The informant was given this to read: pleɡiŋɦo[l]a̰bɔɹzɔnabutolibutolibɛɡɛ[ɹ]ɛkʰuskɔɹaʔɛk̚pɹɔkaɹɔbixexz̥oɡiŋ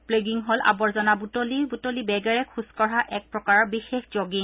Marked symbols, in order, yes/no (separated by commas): yes, yes